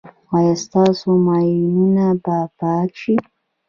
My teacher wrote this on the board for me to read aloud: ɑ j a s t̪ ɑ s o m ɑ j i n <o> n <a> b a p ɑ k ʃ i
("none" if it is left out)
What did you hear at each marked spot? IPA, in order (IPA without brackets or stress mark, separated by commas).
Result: u, a